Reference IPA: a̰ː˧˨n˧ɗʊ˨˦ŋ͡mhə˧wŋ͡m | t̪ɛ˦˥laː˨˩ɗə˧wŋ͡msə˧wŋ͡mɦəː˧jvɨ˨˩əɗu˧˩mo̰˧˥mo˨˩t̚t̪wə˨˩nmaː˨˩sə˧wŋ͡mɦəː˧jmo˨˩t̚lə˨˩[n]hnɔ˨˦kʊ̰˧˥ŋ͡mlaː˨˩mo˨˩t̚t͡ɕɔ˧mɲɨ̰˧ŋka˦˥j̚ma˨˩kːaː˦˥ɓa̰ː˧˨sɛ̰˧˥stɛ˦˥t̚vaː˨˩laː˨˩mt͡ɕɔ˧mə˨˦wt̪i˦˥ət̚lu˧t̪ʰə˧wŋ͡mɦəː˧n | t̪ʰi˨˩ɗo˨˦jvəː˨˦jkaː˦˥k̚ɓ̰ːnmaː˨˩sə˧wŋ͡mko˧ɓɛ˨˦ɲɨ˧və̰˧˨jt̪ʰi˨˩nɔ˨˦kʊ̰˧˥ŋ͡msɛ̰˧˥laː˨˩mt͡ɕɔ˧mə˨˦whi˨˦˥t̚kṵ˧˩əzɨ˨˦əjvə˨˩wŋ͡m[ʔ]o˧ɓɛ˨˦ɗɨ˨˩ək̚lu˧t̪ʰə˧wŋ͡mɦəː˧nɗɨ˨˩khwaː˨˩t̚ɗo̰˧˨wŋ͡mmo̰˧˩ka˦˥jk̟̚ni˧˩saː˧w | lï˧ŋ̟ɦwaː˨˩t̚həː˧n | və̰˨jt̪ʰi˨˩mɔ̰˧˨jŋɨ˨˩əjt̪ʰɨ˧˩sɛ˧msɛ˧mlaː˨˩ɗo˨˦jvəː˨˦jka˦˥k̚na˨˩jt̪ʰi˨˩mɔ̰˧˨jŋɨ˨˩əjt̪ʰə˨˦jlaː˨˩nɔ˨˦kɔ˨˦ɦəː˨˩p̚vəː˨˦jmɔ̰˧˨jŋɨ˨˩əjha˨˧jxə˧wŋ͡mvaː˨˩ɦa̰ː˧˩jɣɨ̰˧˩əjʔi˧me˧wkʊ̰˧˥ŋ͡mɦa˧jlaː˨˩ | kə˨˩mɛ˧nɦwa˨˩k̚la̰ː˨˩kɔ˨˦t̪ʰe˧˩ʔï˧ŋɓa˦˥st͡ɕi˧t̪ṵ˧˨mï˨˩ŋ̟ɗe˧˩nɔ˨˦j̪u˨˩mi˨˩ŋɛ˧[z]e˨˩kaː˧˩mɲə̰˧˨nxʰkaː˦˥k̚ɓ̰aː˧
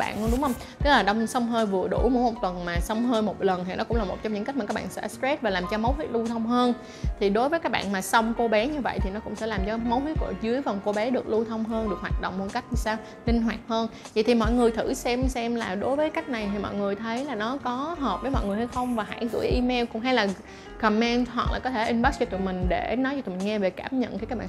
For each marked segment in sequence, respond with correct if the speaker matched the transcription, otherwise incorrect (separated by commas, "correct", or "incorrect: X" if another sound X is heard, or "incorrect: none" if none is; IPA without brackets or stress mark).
correct, incorrect: k, incorrect: v